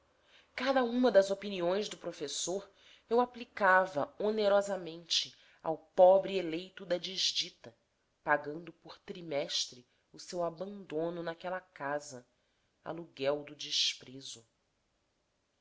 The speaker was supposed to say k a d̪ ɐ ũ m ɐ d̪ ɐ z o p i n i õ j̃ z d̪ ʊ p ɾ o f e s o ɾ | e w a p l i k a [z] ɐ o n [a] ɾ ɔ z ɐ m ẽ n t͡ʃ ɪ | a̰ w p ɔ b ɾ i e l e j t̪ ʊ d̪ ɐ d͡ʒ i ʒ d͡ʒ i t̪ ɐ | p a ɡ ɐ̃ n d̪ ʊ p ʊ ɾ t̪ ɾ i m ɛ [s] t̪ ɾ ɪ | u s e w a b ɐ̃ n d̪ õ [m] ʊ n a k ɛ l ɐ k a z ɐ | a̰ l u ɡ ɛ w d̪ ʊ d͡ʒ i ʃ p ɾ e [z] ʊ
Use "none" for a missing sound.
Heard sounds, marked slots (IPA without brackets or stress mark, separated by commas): v, e, ʃ, n, z